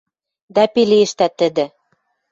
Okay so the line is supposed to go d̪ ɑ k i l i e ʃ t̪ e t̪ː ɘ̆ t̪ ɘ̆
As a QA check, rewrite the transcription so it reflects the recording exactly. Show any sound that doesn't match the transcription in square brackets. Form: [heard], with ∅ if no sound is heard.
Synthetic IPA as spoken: d̪ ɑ [p] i l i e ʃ t̪ [æ] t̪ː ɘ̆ [d̪] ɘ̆